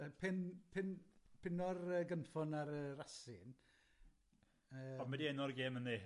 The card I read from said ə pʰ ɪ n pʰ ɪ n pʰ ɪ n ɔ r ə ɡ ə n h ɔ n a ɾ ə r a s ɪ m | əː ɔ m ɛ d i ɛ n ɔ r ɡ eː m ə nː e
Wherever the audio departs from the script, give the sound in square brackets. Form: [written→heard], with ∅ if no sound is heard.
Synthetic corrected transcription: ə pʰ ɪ n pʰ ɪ n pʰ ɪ n ɔ r ə ɡ ə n [h→f] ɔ n a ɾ ə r a s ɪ [m→n] | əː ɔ m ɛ d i ɛ n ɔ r ɡ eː m ə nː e